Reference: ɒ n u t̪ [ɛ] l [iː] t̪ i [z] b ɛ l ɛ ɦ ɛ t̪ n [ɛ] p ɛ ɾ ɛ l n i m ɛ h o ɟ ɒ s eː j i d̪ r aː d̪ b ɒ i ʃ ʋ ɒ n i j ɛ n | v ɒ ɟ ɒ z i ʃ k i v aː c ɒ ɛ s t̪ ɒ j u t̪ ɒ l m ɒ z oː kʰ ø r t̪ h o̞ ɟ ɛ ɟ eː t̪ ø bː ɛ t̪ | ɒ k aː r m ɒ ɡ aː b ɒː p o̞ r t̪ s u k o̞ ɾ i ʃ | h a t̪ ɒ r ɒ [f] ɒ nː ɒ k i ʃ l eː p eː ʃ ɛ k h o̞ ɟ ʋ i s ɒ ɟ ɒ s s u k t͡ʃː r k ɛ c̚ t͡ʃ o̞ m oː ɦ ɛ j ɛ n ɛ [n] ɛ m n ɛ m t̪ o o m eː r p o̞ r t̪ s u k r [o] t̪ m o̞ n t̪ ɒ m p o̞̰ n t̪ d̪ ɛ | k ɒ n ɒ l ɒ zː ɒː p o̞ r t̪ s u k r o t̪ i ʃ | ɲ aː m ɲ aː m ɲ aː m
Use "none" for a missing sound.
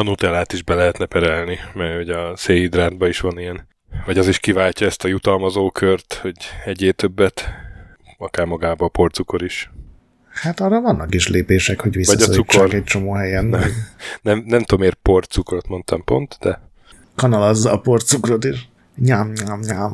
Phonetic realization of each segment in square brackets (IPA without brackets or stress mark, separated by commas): ɛ, aː, ʒ, ɛ, v, n, o